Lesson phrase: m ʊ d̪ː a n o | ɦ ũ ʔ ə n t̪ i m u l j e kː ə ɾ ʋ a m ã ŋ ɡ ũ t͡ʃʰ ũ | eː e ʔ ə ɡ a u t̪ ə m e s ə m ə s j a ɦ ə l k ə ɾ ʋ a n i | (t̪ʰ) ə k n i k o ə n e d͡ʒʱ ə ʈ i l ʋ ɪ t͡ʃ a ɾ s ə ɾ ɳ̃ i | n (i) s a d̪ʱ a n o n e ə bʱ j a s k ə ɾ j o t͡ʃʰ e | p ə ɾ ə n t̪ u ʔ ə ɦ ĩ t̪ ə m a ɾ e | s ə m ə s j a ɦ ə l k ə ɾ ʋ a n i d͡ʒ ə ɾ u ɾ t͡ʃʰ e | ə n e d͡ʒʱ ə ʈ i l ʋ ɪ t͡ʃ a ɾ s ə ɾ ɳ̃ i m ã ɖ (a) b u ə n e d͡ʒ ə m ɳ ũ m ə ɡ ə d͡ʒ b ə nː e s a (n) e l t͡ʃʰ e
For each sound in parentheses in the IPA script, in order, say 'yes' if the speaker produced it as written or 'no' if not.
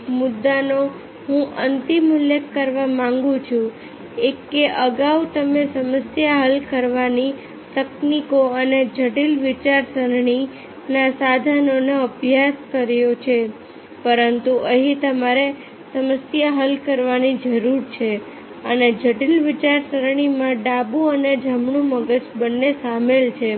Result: no, no, yes, no

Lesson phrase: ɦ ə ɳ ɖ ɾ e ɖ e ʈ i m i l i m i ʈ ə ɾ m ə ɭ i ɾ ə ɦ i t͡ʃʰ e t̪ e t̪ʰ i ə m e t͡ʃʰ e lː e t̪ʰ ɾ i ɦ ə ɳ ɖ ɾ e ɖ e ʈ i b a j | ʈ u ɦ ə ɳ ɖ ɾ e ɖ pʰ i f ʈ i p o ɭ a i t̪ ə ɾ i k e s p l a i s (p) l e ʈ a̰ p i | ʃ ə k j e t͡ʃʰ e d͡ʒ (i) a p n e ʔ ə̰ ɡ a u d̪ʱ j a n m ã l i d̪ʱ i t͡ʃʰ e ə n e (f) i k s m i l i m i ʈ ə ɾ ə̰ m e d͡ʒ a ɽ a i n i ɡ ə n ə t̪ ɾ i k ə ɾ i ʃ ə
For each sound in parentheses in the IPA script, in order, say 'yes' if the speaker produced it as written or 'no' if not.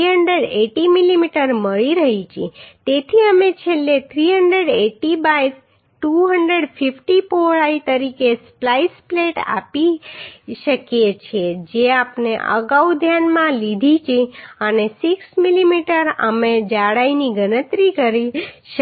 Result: yes, no, no

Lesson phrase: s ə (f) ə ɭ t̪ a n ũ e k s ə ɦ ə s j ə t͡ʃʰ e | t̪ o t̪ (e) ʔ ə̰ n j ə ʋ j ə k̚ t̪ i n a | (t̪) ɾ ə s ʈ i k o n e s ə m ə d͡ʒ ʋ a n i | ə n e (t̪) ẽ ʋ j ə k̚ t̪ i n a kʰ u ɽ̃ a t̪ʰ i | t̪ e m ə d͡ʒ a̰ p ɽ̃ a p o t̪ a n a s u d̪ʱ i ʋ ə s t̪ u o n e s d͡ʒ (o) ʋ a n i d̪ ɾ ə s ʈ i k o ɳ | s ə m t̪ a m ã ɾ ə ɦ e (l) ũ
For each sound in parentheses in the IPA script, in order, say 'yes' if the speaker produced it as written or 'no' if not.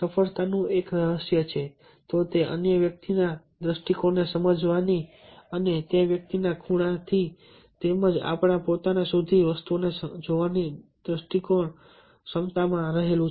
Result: yes, yes, no, yes, yes, yes

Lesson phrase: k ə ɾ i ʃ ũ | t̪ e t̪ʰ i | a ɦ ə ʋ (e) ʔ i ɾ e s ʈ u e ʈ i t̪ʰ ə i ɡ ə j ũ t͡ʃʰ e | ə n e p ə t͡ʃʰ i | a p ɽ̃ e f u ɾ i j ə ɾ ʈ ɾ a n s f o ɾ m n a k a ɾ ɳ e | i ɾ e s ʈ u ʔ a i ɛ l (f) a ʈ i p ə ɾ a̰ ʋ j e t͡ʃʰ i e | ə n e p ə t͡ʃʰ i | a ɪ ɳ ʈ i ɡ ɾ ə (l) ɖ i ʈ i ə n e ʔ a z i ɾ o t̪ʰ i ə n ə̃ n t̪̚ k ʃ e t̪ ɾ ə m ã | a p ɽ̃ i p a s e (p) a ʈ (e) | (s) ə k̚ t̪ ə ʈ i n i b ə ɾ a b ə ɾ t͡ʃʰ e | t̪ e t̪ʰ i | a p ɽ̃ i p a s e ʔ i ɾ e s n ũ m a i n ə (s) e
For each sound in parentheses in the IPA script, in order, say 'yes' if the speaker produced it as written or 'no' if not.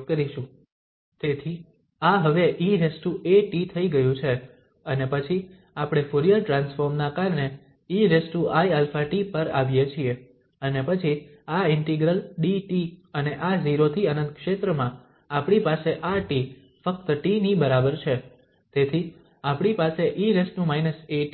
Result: yes, yes, yes, no, no, no, yes

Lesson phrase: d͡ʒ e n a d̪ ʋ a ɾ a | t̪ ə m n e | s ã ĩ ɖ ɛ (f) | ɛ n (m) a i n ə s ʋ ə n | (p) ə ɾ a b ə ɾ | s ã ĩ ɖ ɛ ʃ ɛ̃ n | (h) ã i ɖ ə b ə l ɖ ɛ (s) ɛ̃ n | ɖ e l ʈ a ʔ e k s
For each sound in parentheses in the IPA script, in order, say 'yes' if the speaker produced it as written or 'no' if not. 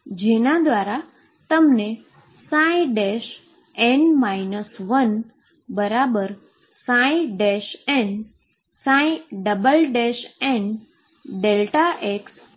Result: no, yes, no, no, no

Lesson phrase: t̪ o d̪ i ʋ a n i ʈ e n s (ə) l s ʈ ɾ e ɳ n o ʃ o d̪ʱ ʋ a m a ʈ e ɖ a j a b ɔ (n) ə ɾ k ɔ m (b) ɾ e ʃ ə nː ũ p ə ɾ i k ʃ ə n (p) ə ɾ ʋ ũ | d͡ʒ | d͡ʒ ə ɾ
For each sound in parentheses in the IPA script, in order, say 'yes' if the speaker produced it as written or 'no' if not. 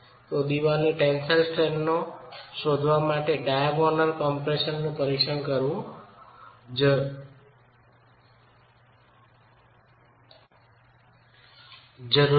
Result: yes, yes, no, no

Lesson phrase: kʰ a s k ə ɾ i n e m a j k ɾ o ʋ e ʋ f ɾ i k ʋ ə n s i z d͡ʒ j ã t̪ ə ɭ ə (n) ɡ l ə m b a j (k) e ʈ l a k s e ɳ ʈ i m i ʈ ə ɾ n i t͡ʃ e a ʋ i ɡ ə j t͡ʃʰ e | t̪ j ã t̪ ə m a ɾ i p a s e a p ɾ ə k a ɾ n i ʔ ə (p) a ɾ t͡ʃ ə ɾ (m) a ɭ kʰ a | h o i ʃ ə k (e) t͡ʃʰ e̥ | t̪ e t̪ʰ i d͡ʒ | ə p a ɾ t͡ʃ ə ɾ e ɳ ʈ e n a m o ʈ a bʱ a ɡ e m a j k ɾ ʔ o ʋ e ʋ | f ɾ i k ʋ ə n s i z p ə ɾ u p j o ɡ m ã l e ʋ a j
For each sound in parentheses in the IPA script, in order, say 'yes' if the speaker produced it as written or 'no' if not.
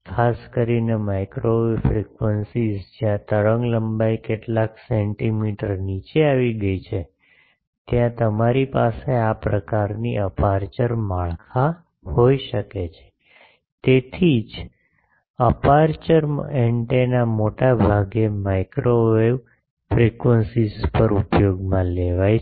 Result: no, yes, yes, yes, yes

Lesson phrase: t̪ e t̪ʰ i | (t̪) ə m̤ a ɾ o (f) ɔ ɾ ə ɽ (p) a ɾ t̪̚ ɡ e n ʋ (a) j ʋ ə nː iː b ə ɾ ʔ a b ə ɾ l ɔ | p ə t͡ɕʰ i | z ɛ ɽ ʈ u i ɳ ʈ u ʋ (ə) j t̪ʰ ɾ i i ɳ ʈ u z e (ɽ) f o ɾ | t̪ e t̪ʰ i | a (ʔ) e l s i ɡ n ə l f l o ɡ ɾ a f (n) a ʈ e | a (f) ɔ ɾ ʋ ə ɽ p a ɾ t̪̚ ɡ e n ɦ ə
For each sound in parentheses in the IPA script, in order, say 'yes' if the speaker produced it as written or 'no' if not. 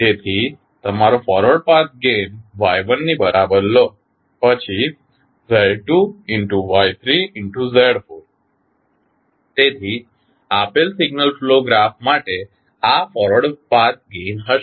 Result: yes, yes, yes, yes, no, yes, no, no, yes

